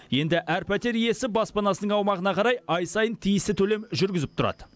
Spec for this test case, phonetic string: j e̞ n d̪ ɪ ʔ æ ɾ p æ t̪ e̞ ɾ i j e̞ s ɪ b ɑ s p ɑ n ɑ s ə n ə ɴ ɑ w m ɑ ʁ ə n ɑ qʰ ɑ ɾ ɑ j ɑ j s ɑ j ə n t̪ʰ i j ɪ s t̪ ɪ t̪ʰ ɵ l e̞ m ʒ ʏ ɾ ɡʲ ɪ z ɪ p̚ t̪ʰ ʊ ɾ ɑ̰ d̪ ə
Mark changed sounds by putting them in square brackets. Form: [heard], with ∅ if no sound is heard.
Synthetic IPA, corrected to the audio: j e̞ n d̪ ɪ ʔ æ ɾ p æ t̪ e̞ ɾ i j e̞ s ɪ b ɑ s p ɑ n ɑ s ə n ə ɴ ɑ w m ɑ ʁ ə n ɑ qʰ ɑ ɾ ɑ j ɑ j s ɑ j ə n t̪ʰ i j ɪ s t̪ ɪ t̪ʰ ɵ l e̞ m ʒ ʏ ɾ ɡʲ ɪ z ɪ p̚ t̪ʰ ʊ ɾ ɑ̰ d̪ ə